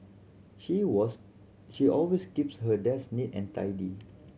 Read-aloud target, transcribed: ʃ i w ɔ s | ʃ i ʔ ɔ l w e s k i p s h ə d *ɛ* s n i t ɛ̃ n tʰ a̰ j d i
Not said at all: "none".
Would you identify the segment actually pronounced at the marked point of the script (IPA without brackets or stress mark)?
ɛ